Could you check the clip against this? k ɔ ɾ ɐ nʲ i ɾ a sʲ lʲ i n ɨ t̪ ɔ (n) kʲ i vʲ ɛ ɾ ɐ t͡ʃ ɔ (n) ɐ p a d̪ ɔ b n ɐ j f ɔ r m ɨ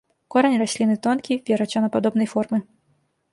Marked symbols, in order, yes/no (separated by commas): yes, yes